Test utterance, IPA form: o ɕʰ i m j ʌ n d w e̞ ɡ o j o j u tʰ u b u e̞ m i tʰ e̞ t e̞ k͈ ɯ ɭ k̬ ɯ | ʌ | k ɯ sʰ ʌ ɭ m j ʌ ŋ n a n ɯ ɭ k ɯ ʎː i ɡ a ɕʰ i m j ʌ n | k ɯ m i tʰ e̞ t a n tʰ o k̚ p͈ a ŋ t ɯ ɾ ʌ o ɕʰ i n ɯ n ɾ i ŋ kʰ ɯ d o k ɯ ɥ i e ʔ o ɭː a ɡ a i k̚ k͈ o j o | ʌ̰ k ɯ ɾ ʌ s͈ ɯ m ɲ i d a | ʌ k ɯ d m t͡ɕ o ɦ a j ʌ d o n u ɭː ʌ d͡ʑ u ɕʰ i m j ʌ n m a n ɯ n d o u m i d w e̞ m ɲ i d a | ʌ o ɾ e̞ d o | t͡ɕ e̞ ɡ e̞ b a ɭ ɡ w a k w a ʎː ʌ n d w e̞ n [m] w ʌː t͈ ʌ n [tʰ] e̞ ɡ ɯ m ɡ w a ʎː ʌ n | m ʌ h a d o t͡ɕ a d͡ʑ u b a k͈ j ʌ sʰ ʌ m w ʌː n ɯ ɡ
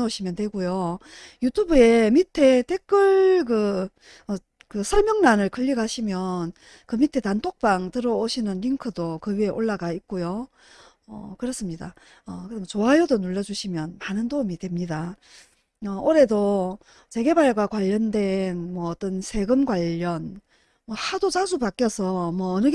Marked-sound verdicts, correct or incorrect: correct, incorrect: sʰ

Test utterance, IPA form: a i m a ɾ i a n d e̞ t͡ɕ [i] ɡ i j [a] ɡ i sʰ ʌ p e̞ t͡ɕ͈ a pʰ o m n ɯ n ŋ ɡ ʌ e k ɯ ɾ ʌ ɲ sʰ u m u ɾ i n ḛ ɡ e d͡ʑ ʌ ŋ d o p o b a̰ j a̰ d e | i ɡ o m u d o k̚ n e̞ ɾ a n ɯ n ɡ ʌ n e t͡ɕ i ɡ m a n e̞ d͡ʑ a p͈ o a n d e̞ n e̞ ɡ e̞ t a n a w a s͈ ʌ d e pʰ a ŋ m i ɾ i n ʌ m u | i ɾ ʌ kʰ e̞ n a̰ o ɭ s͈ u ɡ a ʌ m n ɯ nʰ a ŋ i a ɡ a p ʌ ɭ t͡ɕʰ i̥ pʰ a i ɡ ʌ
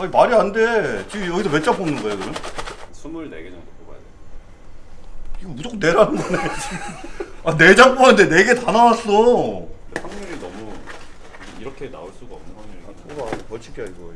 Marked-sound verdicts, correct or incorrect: correct, incorrect: ʌ

